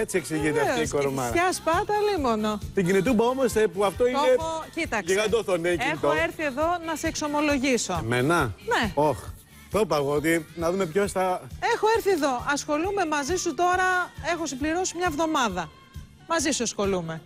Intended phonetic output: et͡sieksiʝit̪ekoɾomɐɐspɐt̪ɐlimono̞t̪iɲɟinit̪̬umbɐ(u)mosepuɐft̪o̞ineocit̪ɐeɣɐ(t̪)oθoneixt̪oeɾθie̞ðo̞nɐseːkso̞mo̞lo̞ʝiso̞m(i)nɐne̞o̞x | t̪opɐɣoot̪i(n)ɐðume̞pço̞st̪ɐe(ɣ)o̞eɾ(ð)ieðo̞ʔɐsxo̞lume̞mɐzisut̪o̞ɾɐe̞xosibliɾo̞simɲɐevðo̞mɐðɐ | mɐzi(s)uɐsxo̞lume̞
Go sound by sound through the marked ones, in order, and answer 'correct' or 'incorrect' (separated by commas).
incorrect, incorrect, incorrect, correct, incorrect, incorrect, correct